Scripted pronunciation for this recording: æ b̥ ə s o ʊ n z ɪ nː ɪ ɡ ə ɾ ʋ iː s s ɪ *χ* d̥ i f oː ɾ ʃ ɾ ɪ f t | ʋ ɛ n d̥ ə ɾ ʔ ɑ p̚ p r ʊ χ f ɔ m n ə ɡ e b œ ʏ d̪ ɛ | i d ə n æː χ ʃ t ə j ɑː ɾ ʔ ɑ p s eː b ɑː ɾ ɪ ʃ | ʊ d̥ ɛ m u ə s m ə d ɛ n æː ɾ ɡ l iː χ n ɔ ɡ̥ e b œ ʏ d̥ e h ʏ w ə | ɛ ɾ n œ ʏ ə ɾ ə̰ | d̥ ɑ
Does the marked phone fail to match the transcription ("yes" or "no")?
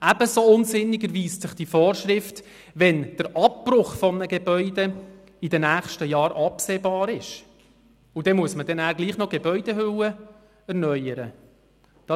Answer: no